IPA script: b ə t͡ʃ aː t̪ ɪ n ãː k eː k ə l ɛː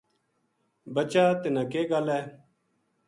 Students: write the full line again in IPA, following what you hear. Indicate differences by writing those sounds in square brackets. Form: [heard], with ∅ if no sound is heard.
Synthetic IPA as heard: b ə t͡ʃ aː t̪ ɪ n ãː k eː [ɡ] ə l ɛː